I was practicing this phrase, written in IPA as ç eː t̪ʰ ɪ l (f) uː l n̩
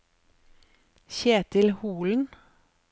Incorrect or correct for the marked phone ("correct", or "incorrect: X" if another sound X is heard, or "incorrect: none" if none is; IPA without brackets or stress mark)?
incorrect: h